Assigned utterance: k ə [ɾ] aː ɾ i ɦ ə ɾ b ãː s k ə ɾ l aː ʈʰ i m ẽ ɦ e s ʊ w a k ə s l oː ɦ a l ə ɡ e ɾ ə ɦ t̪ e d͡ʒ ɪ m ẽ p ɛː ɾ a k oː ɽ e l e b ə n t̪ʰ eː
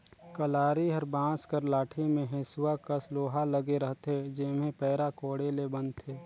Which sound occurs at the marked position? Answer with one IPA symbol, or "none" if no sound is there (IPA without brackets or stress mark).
l